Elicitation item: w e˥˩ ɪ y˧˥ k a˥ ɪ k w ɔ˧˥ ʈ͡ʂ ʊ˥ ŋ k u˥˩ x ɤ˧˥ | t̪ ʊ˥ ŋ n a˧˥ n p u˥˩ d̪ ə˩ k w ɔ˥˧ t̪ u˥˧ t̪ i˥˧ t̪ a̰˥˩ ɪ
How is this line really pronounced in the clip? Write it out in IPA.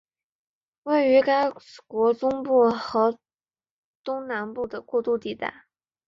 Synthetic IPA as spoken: w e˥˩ ɪ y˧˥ k a˥ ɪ k w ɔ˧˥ ʈ͡ʂ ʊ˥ ŋ p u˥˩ x ɤ˧˥ | t̪ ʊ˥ ŋ n a˧˥ n p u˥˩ d̪ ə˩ k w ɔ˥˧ t̪ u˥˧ t̪ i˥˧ t̪ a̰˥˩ ɪ